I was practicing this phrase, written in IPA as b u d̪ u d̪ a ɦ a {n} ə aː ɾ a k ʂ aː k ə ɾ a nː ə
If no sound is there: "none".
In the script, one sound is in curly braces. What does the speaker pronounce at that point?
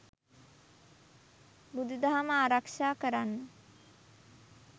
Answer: m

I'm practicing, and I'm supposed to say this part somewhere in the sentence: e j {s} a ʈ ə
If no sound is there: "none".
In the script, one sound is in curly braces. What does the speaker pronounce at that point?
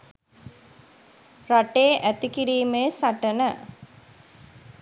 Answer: s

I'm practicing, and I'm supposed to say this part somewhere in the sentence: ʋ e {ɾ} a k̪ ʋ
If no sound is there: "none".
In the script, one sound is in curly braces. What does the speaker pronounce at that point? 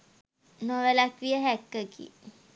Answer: l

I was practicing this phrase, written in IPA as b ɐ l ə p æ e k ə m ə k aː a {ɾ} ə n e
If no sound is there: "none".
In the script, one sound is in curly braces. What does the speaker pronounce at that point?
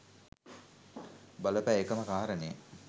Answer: ɾ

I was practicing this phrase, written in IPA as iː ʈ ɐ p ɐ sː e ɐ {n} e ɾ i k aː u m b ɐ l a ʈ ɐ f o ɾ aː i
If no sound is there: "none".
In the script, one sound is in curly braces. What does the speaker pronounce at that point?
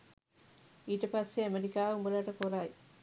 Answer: m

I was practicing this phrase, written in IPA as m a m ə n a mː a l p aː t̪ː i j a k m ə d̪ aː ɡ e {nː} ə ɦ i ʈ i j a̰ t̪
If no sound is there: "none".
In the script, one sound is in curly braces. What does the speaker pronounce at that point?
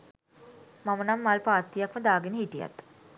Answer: n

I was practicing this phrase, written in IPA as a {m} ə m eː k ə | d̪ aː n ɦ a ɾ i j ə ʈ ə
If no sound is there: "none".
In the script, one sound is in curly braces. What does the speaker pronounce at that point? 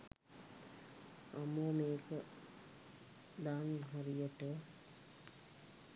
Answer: m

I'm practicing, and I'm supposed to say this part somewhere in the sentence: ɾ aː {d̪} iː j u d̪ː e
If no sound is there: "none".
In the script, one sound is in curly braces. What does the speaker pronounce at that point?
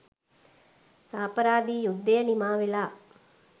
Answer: d̪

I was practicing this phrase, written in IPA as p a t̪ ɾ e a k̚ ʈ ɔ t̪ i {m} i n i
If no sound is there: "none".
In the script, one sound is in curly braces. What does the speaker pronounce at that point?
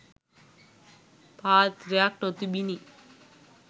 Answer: b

